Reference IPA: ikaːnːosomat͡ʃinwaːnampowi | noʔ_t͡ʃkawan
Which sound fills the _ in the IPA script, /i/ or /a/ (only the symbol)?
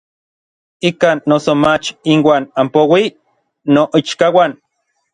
i